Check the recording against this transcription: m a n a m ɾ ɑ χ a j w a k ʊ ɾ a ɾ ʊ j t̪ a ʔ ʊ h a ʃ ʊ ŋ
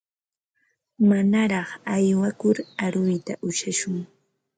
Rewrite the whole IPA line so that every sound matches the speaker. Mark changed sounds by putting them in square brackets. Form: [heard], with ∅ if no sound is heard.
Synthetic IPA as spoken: m a n a [∅] ɾ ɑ χ a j w a k ʊ ɾ a ɾ ʊ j t̪ a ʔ ʊ [ʃ] a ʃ ʊ ŋ